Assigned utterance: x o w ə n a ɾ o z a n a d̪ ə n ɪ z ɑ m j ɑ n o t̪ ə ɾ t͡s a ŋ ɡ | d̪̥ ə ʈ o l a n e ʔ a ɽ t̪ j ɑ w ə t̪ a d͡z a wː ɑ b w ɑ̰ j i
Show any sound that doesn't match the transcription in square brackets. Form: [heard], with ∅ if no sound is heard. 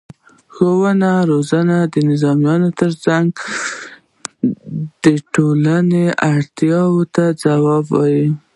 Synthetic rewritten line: x o w ə n a ɾ o z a n a d̪ ə n ɪ z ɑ m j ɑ n o t̪ ə ɾ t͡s a ŋ ɡ | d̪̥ ə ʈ o l a n e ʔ a ɽ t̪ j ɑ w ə t̪ a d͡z a [w] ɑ b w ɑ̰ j i